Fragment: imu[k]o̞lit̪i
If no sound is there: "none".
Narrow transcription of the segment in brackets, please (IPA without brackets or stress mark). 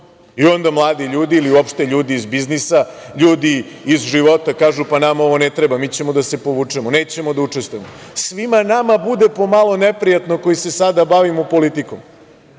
p